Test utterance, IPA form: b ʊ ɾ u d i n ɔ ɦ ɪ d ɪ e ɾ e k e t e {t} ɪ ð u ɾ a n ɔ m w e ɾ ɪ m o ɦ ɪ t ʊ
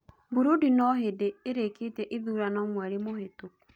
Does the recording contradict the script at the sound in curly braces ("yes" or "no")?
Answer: yes